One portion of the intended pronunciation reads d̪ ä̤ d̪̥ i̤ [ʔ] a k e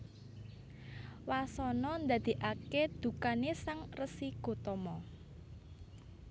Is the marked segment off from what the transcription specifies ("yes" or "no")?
no